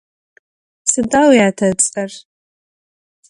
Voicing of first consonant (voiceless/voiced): voiceless